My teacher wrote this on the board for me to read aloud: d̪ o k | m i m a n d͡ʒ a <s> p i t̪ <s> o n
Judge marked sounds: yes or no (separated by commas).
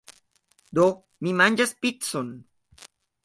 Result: yes, yes